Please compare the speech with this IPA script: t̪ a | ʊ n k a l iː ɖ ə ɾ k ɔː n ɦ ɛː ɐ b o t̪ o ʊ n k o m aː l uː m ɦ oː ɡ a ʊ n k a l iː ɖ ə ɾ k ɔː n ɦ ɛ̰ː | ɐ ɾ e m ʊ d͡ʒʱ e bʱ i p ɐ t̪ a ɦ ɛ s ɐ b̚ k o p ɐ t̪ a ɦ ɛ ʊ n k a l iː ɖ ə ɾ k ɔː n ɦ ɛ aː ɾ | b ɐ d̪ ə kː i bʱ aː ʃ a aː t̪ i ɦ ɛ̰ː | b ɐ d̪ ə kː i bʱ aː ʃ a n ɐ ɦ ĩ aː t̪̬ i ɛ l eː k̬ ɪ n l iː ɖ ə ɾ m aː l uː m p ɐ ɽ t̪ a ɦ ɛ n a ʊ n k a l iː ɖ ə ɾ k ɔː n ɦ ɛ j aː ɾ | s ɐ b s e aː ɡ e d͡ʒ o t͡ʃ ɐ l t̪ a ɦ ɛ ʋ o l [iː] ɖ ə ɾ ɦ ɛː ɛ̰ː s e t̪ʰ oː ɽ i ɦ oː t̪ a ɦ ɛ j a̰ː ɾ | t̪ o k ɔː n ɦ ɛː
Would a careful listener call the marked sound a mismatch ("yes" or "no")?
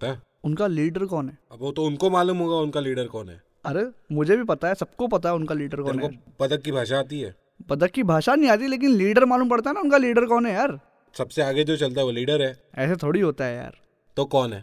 no